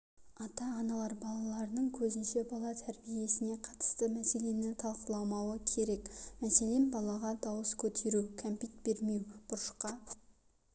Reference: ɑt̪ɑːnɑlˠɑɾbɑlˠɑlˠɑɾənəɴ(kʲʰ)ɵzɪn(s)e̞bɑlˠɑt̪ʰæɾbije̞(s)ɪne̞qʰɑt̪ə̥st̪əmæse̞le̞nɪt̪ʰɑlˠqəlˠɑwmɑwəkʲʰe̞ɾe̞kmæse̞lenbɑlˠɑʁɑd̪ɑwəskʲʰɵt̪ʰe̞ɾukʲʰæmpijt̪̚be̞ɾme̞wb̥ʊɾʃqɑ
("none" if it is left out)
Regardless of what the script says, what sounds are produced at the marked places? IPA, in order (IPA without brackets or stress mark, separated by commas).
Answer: kʲʰ, ʃ, s